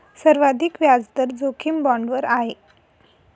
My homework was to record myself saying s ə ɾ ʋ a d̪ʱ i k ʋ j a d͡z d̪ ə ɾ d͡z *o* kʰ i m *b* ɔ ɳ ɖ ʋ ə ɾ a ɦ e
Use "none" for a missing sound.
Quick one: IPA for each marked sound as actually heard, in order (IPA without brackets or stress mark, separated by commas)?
o, b